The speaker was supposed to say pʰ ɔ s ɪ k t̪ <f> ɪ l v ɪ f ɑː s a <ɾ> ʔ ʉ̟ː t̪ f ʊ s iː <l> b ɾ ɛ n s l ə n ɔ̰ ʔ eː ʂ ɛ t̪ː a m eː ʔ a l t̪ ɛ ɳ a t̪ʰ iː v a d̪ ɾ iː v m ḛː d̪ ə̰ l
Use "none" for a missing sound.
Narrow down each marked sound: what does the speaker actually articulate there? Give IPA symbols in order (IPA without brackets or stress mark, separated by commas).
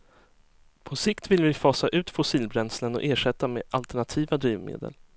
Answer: v, none, l